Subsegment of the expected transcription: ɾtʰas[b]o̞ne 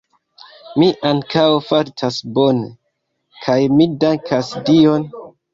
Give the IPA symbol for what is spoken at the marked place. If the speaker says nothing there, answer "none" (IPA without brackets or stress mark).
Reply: b